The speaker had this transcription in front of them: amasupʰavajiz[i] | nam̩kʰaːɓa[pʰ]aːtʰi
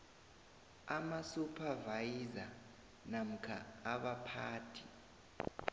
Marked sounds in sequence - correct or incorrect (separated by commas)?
incorrect, correct